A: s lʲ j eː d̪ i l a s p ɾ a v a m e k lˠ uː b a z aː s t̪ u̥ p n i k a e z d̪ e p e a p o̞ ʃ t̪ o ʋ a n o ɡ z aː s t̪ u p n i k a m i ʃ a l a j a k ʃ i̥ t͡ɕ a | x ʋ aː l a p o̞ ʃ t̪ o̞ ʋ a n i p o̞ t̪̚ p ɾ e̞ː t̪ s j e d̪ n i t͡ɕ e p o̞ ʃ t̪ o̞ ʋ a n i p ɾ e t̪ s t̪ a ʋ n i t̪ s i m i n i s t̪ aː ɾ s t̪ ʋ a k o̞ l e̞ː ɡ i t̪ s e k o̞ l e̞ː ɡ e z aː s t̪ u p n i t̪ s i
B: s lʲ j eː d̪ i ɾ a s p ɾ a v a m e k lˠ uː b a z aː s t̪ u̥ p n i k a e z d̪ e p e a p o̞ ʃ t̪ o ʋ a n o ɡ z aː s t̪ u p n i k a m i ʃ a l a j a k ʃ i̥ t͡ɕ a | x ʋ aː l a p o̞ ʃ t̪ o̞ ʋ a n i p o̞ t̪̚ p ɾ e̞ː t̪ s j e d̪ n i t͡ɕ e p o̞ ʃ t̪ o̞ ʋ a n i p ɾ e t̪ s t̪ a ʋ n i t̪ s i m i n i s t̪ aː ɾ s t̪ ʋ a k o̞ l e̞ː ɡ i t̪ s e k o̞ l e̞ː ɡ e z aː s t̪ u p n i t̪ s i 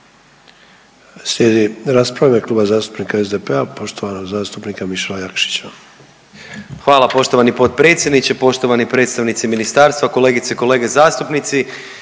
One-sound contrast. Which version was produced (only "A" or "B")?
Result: B